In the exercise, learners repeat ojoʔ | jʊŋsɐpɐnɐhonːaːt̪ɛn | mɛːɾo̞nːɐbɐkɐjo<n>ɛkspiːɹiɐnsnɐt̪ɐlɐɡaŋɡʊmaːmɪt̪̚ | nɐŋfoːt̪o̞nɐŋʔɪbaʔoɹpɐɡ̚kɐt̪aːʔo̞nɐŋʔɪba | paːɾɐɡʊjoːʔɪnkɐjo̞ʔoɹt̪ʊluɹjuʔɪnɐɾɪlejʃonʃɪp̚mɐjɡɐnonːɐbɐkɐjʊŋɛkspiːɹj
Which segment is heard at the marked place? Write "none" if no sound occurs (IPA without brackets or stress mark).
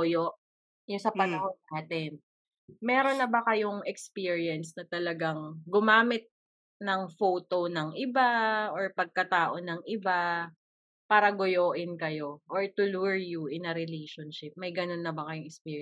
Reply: ŋ